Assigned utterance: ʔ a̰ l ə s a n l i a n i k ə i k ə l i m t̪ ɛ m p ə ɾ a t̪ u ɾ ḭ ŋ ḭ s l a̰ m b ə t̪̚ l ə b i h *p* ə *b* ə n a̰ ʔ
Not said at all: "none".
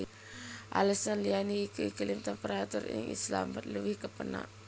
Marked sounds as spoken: k, p

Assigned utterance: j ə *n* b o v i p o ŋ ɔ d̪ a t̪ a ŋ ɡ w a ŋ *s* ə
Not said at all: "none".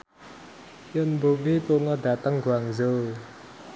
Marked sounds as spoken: n, z

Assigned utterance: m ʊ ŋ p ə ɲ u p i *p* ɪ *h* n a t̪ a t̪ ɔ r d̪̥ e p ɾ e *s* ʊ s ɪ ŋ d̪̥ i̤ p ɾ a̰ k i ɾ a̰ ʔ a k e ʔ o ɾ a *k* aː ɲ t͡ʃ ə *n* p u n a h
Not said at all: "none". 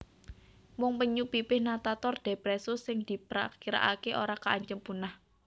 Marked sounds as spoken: p, h, s, k, m

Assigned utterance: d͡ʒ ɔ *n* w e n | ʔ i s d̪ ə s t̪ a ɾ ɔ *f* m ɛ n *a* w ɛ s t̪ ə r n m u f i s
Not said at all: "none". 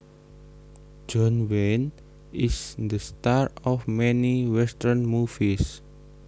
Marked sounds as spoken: n, f, i

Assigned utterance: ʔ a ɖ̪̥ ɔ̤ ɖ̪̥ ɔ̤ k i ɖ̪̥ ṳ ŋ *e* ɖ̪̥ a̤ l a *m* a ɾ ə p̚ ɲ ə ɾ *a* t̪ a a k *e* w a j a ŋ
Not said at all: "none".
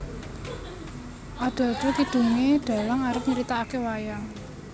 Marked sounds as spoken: e, ŋ, i, e

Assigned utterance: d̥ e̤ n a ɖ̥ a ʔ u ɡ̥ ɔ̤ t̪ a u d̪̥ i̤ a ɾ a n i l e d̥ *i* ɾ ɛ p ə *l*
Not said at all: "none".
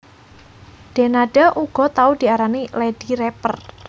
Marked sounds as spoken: i, r

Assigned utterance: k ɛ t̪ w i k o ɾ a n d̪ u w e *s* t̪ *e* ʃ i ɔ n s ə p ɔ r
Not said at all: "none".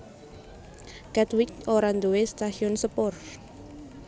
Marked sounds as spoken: s, a

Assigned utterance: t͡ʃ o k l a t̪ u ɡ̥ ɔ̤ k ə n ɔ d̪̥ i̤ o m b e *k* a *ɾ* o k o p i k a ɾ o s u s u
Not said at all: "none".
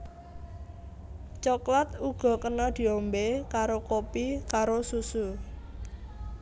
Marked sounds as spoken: k, ɾ

